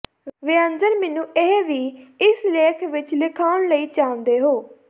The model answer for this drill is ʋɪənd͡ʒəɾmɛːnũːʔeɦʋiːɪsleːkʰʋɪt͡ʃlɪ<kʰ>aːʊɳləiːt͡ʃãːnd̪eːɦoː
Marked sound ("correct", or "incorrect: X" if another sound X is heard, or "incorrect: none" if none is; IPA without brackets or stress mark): correct